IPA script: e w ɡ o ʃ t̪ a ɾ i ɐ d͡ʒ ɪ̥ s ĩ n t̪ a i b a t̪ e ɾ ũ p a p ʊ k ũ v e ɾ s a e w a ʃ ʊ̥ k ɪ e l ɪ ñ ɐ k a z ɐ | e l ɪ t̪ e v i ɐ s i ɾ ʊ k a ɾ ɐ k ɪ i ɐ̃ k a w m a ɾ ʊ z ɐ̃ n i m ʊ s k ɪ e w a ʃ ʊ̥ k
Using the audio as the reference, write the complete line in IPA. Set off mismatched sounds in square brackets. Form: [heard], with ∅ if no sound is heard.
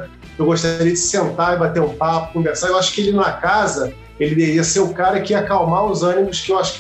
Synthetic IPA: e w ɡ o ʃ t̪ a ɾ i ɐ d͡ʒ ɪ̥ s [ẽ] n t̪ a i b a t̪ e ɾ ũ p a p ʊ k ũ v e ɾ s a e w a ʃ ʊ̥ k ɪ e l ɪ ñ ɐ k a z ɐ | e l ɪ [d̪] e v i ɐ s [e] ɾ ʊ k a ɾ ɐ k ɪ i [ɐ] k a w m a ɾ ʊ z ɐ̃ n i m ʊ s k ɪ e w a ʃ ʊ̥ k